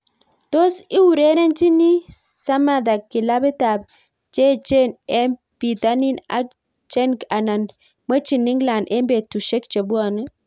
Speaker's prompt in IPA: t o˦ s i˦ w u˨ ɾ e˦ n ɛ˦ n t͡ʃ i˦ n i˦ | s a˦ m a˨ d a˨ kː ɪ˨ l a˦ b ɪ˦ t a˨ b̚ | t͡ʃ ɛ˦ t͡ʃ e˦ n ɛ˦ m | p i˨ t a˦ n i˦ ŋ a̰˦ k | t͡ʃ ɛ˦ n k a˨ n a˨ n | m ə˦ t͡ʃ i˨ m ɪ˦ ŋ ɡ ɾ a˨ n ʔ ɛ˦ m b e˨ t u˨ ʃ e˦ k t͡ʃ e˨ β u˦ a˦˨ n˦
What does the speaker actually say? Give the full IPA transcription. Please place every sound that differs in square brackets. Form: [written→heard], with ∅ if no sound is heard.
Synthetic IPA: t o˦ s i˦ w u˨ ɾ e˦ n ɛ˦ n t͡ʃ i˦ n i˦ | s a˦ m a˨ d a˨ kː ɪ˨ l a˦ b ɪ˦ t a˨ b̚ | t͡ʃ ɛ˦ t͡ʃ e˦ n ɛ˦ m | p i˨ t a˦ n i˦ [ŋ→n] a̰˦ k | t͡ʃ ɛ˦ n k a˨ n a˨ n | m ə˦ t͡ʃ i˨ [m→n] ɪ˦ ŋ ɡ [ɾ→l] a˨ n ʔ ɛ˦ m b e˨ t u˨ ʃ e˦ k t͡ʃ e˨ [β→b] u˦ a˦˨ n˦